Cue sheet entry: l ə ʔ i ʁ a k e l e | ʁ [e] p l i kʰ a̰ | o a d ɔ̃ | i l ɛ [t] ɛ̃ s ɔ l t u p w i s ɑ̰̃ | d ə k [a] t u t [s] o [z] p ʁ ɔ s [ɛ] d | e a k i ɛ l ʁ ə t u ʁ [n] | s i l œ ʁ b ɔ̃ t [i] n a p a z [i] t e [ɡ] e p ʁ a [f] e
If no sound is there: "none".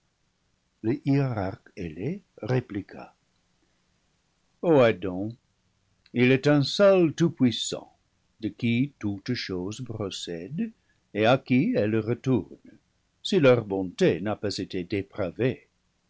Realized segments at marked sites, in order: e, t, i, ʃ, z, ɛ, n, e, e, d, v

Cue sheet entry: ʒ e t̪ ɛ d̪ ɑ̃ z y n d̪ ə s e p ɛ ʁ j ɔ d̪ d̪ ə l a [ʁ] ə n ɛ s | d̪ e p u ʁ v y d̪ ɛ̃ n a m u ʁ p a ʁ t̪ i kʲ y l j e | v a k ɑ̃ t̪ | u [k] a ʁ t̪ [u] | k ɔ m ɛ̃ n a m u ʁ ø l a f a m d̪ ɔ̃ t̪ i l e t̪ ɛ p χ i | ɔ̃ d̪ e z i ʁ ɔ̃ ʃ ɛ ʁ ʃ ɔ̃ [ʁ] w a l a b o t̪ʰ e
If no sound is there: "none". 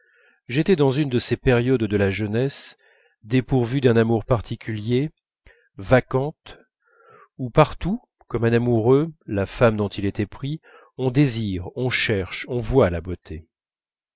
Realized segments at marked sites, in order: ʒ, p, u, v

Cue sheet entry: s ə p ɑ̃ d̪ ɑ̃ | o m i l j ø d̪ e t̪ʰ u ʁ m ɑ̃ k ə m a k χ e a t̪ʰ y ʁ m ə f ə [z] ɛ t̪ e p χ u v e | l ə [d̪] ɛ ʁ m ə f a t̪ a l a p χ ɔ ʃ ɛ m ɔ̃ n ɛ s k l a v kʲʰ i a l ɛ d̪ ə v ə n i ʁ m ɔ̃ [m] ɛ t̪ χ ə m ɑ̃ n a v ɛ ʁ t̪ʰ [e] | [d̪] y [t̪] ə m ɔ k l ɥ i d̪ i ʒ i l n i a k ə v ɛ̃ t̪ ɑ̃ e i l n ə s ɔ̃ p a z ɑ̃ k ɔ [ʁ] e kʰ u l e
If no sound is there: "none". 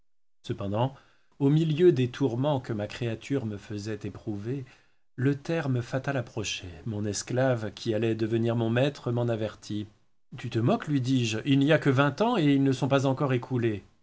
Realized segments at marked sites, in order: z, t̪, m, i, t̪, t̪, ʁ

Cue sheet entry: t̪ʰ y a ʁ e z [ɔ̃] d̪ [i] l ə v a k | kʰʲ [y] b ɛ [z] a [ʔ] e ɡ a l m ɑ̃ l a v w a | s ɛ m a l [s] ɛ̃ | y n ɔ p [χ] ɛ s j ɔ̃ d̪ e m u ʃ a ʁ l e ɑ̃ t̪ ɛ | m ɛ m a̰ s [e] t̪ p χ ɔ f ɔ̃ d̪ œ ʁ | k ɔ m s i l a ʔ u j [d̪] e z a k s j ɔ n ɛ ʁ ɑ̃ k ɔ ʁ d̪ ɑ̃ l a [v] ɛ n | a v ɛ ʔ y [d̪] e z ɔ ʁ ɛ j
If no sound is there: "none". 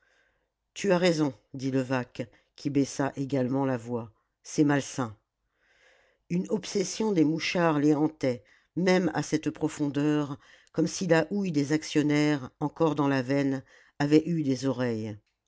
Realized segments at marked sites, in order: ɔ̃, i, i, s, ʔ, s, s, ɛ, d̪, v, d̪

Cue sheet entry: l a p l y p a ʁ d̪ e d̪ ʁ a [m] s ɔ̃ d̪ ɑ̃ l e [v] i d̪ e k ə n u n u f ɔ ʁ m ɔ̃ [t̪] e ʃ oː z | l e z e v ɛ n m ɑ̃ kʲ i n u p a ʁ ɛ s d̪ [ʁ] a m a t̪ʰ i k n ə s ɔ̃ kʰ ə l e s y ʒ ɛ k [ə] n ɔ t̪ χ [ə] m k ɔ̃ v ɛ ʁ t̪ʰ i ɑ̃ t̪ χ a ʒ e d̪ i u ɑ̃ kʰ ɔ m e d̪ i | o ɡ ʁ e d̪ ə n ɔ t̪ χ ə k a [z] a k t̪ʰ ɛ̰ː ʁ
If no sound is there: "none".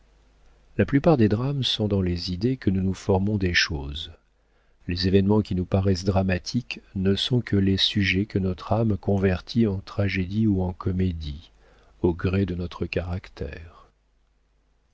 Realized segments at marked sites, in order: m, z, d̪, ʁ, ə, a, ʁ

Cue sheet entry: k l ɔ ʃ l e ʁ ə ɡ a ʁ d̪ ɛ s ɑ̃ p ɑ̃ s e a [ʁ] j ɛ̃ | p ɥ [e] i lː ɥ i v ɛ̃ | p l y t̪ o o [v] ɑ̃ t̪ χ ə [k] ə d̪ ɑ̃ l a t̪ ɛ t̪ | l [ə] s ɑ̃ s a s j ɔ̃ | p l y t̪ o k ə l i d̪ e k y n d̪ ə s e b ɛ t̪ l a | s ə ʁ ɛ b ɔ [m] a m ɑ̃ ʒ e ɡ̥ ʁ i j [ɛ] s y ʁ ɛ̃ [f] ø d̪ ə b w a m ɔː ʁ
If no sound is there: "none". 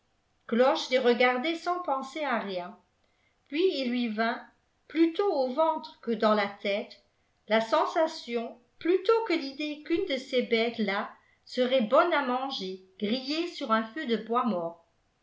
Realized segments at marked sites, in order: ʁ, i, v, k, a, n, e, f

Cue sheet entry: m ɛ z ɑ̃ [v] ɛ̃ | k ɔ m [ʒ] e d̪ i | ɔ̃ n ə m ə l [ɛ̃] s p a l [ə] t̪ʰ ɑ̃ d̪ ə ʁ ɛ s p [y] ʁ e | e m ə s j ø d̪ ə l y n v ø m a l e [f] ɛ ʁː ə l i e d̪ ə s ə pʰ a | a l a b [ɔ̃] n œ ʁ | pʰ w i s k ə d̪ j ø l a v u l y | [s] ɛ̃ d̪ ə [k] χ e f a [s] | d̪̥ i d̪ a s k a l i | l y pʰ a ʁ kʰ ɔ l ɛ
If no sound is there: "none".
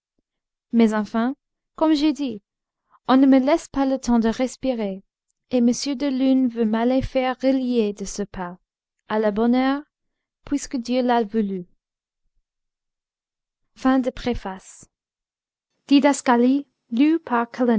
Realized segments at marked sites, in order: f, ʒ, ɛ, ə, i, f, ɔ, f, p, s

